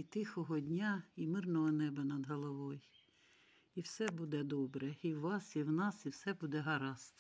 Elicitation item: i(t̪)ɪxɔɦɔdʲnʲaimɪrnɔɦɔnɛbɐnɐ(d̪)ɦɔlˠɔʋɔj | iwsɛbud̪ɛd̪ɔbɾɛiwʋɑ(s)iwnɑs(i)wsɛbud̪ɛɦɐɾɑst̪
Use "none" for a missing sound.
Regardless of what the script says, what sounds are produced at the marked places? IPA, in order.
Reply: t̪, d̪, s, i

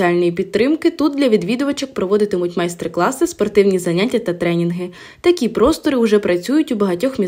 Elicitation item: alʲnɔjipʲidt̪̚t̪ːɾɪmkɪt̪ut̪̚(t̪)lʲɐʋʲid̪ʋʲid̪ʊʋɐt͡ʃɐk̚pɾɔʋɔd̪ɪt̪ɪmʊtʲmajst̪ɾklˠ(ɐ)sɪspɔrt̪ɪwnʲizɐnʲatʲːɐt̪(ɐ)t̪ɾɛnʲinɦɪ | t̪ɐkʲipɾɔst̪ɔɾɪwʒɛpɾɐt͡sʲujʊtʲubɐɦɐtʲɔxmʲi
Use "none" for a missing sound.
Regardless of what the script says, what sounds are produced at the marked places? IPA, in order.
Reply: d̪, ɑ, ɐ

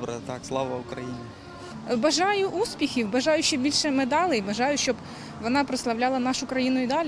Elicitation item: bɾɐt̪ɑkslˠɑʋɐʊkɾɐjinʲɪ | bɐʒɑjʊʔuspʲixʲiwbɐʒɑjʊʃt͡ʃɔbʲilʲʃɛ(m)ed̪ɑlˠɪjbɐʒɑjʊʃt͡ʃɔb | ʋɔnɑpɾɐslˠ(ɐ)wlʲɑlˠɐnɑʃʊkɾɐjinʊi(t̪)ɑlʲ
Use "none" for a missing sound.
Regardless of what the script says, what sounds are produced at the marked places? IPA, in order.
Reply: m, ɐ, d̪

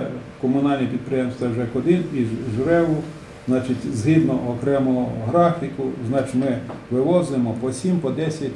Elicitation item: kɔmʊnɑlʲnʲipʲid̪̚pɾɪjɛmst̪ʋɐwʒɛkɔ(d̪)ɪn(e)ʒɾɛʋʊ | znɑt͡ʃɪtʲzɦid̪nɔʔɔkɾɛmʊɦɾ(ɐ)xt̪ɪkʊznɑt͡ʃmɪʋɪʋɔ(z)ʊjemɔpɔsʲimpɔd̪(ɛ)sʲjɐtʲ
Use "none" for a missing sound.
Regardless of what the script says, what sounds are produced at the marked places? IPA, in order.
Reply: d̪, i, ɑ, z, ɛ

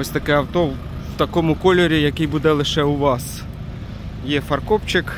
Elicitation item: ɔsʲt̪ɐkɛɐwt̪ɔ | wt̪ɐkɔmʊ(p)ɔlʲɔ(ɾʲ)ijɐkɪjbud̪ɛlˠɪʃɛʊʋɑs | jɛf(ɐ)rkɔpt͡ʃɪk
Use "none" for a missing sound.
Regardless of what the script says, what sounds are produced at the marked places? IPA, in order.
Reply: k, ɾʲ, ɐ

